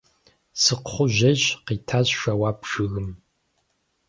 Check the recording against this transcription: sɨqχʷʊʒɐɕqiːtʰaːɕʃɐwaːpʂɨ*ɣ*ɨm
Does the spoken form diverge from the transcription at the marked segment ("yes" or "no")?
no